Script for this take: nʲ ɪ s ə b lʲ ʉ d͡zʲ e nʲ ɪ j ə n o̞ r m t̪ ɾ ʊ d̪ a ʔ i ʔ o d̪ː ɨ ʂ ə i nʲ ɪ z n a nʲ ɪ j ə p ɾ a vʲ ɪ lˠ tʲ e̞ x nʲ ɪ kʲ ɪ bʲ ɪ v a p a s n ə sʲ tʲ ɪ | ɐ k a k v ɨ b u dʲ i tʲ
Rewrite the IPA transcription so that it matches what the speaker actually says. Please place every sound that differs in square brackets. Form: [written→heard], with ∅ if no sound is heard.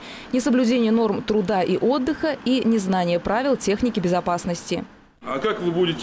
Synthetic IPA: nʲ ɪ s ə b lʲ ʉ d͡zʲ e nʲ ɪ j ə n o̞ r m t̪ ɾ ʊ d̪ a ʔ i ʔ o d̪ː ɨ [ʂ→x] ə i nʲ ɪ z n a nʲ ɪ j ə p ɾ a vʲ ɪ lˠ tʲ e̞ x nʲ ɪ kʲ ɪ bʲ ɪ [v→z] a p a s n ə sʲ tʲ ɪ | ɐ k a k v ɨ b u dʲ [i→ɪ] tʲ